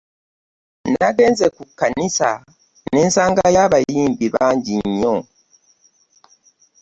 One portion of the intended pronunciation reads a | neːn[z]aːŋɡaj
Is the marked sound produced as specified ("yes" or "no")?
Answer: no